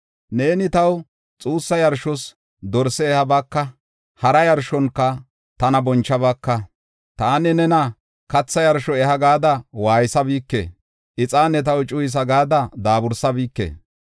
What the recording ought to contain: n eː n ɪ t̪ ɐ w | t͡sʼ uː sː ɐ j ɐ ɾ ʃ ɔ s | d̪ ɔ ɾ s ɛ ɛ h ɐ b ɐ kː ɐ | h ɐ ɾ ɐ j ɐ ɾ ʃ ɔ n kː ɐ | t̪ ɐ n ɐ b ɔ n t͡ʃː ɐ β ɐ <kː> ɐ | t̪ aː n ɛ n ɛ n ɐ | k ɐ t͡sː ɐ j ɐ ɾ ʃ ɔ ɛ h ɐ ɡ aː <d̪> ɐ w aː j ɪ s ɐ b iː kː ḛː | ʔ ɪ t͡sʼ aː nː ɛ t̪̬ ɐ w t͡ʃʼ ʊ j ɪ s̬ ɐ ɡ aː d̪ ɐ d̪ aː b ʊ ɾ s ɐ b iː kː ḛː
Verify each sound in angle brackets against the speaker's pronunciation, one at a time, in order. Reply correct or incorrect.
correct, correct

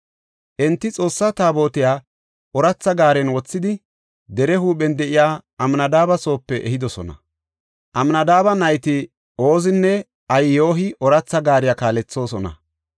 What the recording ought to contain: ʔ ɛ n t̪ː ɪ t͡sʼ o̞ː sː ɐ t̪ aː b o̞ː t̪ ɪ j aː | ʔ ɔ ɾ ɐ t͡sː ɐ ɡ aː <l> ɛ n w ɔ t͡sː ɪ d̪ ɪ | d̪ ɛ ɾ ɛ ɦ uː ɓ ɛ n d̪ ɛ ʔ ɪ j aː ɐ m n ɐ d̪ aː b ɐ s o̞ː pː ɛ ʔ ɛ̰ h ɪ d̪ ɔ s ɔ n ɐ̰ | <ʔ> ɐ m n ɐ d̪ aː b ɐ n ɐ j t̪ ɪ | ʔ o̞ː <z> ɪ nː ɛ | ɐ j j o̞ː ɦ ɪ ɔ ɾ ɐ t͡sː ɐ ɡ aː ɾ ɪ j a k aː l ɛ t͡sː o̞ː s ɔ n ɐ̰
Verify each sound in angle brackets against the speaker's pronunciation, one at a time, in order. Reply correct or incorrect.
incorrect: ɾ, correct, correct

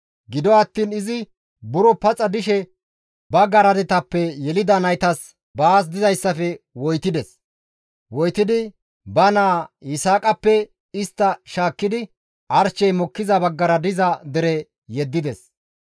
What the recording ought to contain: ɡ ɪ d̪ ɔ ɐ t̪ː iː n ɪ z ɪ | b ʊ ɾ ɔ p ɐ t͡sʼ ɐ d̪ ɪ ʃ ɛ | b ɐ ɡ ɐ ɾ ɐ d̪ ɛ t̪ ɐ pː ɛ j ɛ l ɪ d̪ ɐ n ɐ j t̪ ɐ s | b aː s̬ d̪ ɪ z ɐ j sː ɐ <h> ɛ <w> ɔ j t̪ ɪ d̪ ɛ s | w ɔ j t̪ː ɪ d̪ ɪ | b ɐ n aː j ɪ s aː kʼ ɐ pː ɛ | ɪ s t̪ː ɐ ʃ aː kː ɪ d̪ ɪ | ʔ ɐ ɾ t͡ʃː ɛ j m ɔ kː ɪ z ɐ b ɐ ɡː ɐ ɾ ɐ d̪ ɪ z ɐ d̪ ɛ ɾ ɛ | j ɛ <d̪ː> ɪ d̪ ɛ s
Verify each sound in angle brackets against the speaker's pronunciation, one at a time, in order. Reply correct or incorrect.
incorrect: f, correct, correct

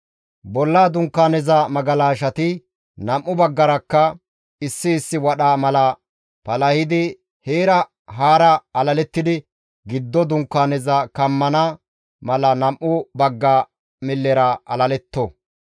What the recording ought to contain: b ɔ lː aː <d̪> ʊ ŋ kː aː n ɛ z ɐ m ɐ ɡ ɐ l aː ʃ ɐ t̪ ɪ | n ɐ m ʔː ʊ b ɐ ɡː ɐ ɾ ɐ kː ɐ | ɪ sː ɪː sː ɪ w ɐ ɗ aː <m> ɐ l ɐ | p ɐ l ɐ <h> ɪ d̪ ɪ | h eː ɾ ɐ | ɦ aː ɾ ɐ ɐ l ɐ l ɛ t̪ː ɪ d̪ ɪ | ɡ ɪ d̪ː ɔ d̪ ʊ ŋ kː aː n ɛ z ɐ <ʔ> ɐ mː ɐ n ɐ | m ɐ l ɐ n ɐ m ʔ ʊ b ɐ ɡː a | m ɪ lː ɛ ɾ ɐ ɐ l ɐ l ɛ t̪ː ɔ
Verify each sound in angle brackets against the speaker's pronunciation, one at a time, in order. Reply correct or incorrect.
correct, correct, correct, incorrect: k

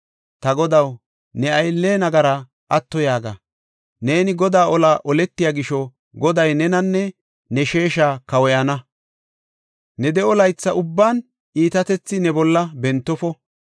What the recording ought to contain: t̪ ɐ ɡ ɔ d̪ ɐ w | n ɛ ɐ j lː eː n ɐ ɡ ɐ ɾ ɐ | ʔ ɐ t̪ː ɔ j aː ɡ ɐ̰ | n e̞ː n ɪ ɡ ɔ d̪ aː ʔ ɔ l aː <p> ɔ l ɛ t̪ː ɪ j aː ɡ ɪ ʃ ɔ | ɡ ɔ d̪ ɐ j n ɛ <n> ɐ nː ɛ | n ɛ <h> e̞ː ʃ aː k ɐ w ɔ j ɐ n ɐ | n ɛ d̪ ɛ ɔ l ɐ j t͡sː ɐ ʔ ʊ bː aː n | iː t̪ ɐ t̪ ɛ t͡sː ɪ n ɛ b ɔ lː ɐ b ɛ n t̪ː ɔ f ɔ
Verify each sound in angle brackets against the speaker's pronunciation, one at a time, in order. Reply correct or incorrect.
incorrect: ʔ, correct, incorrect: ʃ

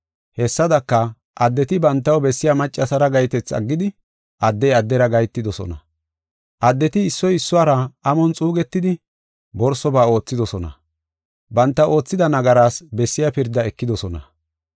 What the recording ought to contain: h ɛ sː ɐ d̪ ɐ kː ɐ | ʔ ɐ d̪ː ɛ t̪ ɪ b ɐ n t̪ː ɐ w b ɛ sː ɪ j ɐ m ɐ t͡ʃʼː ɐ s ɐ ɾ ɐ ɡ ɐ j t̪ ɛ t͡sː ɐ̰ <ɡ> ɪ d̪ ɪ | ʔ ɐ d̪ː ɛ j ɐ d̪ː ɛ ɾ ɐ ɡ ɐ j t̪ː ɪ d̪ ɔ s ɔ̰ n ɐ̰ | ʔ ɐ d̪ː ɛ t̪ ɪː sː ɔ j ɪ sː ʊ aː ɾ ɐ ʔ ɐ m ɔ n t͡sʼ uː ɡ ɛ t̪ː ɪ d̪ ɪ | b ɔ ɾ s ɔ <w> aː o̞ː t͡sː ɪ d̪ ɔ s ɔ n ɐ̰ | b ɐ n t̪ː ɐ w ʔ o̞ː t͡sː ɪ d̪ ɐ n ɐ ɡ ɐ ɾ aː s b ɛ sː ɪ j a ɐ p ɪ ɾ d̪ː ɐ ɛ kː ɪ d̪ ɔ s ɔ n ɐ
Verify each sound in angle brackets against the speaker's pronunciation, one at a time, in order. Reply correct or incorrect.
incorrect: ɡː, incorrect: b

